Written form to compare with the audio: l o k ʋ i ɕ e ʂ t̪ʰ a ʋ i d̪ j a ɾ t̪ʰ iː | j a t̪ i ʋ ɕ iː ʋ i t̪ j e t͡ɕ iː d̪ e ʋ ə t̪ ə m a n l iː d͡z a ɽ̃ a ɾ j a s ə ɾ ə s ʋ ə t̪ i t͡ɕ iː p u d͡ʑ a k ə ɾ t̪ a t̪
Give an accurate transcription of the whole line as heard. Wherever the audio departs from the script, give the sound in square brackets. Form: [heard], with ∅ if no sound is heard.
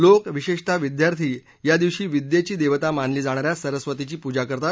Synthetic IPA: l o k ʋ i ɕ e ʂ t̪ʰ a ʋ i d̪ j a ɾ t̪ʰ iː | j a [d̪] i ʋ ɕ iː ʋ i [d̪] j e t͡ɕ iː d̪ e ʋ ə t̪ [a] m a n l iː d͡z a ɽ̃ a ɾ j a s ə ɾ ə s ʋ ə t̪ i t͡ɕ iː p u d͡ʑ a k ə ɾ t̪ a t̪